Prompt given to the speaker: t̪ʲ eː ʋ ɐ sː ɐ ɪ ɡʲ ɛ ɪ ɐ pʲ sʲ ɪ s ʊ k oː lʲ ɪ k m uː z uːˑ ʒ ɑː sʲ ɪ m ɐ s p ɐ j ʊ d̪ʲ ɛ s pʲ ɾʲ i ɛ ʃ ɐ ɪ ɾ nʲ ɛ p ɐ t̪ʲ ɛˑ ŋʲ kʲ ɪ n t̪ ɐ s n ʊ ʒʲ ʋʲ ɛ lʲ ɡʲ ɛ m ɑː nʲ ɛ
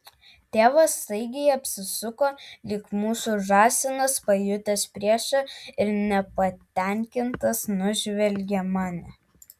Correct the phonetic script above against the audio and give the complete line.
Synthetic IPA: t̪ʲ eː ʋ ɐ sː ɐ ɪ ɡʲ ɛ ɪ ɐ pʲ sʲ ɪ s ʊ k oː lʲ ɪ k m uː s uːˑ ʒ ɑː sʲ ɪ n ɐ s p ɐ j ʊ t̪ʲ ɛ s pʲ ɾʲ i ɛ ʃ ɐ ɪ ɾ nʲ ɛ p ɐ t̪ʲ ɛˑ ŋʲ kʲ ɪ n t̪ ɐ s n ʊ ʒʲ ʋʲ ɛ lʲ ɡʲ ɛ m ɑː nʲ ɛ